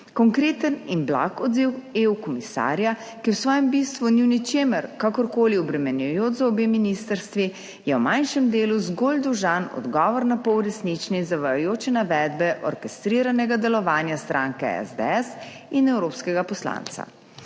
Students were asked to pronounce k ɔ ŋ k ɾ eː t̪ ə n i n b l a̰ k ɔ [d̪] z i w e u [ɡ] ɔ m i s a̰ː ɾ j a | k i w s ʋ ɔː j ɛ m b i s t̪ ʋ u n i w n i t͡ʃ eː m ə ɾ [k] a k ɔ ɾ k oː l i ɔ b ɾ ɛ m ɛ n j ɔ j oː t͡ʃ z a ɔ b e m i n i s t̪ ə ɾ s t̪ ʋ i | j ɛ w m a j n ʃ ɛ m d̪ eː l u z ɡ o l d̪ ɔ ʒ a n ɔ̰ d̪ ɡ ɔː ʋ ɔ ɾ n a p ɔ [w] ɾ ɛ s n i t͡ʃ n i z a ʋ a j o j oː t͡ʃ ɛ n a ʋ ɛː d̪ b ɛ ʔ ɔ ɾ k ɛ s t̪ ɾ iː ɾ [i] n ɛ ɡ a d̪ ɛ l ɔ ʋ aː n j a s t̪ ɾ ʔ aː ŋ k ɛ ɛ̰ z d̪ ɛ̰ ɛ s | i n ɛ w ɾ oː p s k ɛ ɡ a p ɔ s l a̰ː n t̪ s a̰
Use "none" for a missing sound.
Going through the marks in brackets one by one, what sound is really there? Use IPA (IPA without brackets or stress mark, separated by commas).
d̪, k, k, w, a